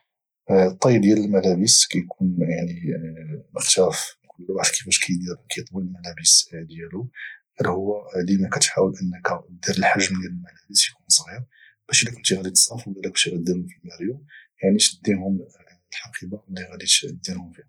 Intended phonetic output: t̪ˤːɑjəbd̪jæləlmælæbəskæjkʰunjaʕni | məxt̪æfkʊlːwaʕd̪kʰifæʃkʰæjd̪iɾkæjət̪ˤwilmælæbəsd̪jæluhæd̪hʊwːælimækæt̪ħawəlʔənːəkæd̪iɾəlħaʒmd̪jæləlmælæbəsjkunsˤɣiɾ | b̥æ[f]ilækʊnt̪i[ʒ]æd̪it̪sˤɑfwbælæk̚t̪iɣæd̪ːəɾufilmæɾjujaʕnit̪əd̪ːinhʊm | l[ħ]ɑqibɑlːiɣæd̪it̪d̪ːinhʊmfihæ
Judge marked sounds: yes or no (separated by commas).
no, no, yes